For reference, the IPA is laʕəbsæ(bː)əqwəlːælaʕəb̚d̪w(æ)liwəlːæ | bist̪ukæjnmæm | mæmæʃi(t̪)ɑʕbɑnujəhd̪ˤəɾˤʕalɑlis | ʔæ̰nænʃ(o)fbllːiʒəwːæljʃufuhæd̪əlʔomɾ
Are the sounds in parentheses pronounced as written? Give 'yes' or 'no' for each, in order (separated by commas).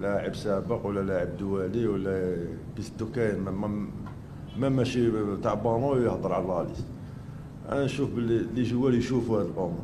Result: no, yes, yes, no